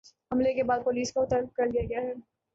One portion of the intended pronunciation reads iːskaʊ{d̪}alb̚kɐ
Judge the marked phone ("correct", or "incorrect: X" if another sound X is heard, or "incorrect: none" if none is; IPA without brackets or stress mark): incorrect: t̪